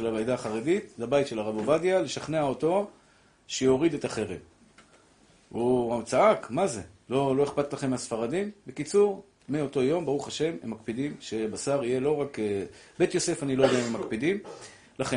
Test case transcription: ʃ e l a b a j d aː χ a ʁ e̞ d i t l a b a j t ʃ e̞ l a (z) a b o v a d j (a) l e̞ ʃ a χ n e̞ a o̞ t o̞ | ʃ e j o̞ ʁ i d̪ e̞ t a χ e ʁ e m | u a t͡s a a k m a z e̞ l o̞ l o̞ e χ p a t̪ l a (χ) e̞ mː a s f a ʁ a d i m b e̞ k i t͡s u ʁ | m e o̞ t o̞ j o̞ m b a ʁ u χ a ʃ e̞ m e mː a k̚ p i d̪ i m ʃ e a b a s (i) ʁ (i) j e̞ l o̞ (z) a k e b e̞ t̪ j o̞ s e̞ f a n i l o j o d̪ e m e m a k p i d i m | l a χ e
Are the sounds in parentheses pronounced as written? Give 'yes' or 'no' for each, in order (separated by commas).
no, yes, yes, no, yes, no